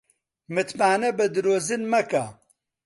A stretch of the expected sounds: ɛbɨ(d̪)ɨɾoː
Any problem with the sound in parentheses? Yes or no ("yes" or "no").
no